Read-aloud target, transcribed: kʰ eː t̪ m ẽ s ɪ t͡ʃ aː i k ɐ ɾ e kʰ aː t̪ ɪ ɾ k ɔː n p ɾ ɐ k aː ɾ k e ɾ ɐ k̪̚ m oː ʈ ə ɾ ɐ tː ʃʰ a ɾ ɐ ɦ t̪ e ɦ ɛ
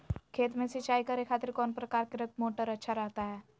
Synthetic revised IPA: kʰ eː t̪ m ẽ s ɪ t͡ʃ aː i k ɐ ɾ e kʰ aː t̪ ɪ ɾ k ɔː n p ɾ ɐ k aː ɾ k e ɾ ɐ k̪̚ m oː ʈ ə ɾ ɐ tː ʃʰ a ɾ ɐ ɦ t̪ a ɦ ɛː